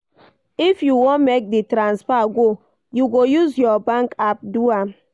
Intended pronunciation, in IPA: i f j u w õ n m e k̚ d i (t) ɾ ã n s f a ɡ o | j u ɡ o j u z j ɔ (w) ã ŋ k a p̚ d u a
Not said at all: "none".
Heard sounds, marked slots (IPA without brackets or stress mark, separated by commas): t, b